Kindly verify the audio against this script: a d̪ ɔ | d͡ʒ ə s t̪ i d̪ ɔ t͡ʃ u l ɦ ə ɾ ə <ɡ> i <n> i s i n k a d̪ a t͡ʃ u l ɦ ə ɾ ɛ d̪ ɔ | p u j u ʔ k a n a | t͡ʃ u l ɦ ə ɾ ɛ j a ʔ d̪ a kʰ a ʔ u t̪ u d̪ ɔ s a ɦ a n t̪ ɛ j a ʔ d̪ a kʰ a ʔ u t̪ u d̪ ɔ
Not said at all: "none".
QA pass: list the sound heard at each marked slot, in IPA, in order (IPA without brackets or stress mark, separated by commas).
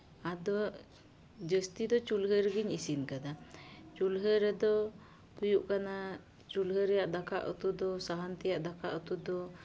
ɡ, ɲ